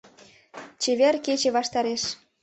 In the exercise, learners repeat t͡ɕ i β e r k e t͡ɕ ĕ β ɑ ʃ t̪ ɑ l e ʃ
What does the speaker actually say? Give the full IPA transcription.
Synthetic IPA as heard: t͡ɕ e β e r k e t͡ɕ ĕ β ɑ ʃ t̪ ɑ ɾ e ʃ